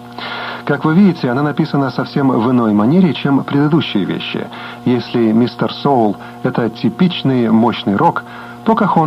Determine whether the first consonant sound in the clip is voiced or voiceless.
voiceless